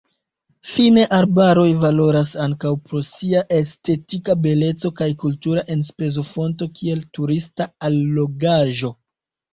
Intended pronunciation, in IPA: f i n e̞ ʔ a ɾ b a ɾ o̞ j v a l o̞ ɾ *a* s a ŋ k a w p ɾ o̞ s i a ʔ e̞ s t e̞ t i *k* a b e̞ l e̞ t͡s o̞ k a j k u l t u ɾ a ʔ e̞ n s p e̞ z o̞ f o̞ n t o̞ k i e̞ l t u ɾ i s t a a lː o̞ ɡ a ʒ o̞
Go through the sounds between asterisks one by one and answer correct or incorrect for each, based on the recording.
correct, correct

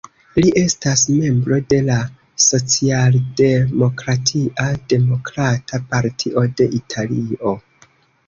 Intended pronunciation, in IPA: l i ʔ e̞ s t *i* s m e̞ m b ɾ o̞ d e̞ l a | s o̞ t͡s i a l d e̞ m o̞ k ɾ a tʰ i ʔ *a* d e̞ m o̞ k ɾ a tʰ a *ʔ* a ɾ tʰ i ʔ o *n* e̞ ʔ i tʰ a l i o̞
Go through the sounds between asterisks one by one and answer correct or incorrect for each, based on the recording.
incorrect, correct, incorrect, incorrect

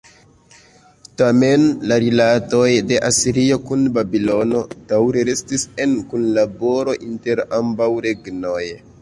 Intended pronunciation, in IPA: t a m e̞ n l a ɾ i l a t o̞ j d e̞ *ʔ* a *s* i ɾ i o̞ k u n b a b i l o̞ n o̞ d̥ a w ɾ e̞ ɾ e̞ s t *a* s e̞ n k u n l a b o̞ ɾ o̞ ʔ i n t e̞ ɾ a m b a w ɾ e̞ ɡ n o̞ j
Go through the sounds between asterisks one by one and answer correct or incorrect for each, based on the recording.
correct, correct, incorrect

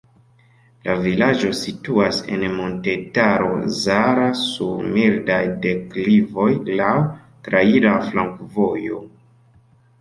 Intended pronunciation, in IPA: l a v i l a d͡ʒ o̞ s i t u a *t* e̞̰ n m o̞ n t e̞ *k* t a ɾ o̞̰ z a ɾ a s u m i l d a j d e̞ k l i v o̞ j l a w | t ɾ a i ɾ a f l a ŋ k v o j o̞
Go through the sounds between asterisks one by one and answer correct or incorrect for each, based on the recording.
incorrect, incorrect

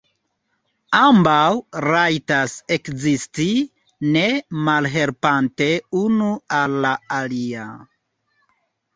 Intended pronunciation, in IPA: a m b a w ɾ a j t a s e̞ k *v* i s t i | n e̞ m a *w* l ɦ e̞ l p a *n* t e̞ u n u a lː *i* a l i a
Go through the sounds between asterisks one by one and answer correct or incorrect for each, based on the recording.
incorrect, incorrect, correct, incorrect

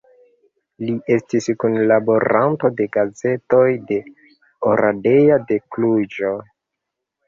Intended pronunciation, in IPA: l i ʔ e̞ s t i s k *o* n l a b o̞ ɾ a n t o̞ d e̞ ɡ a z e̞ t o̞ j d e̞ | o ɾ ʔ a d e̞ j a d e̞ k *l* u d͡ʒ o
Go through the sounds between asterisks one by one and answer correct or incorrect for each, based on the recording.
incorrect, correct

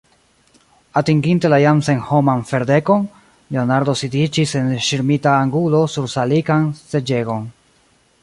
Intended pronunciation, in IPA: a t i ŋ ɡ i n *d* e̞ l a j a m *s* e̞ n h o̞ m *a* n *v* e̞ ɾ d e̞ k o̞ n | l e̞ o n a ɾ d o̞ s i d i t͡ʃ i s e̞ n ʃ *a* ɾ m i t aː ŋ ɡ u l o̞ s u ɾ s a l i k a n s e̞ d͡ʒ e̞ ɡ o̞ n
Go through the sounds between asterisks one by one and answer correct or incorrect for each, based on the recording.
incorrect, correct, correct, incorrect, incorrect

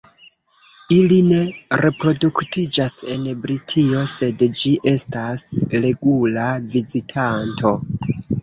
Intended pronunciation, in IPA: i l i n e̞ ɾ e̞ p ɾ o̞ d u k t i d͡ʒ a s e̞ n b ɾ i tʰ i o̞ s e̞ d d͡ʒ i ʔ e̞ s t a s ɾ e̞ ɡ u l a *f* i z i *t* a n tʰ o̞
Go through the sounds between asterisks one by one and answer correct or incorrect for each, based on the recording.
incorrect, incorrect

